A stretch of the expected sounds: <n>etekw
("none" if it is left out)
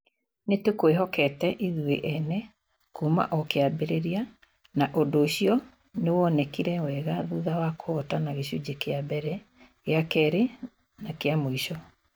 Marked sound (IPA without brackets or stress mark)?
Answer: n